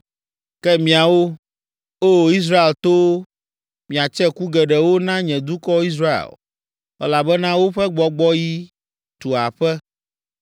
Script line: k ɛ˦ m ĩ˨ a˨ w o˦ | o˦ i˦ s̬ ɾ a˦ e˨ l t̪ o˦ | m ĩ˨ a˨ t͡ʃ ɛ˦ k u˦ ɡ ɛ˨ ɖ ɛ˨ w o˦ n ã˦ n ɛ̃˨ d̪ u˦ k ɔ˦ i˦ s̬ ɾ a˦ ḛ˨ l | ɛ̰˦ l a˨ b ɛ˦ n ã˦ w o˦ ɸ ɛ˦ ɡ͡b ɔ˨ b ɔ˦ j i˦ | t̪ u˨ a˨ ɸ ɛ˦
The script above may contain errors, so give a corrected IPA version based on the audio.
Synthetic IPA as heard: k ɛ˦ m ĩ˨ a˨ w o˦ | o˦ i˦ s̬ ɾ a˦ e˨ l t̪ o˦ | m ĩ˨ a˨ t͡ʃ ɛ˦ k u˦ ɡ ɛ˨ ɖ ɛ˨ w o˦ n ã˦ ɲ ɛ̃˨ d̪ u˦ k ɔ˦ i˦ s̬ ɾ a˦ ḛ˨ l | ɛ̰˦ l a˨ b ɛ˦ n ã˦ w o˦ ɸ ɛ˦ ɡ͡b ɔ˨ ɡ͡b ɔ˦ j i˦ | t̪ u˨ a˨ ɸ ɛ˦